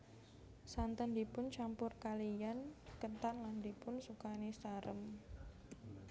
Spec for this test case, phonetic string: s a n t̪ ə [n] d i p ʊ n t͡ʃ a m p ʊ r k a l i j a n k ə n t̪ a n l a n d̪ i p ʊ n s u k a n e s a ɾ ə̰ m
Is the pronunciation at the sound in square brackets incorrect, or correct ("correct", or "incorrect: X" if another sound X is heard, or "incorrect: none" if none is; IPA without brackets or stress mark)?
correct